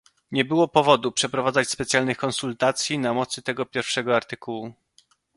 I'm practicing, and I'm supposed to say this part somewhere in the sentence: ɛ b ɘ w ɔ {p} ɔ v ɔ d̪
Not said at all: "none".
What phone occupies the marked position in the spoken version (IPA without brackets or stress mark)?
p